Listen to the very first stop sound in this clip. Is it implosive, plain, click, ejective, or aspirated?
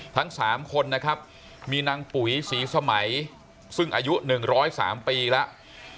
aspirated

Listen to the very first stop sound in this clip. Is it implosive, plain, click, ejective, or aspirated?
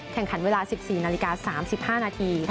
aspirated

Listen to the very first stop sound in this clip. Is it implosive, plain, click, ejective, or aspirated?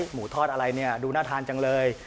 aspirated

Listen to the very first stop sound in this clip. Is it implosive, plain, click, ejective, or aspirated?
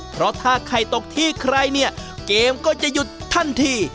aspirated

